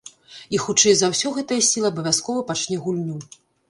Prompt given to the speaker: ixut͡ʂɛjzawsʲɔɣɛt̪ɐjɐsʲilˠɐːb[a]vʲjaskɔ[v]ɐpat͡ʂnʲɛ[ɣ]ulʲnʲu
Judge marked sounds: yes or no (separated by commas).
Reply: no, yes, yes